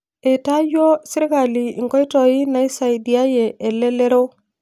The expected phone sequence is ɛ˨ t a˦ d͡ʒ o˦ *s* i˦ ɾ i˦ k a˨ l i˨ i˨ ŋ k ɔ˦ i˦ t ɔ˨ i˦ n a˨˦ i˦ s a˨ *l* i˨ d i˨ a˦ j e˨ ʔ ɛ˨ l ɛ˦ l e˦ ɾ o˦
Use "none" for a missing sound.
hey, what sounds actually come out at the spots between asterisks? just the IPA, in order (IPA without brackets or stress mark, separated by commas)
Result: s, none